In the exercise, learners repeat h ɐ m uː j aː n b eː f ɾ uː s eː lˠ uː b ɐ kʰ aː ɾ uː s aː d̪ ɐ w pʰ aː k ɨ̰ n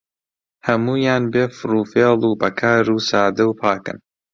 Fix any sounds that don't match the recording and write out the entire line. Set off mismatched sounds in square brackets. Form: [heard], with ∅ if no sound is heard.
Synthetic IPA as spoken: h ɐ m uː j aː n b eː f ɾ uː [f] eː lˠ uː b ɐ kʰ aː ɾ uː s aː d̪ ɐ w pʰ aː k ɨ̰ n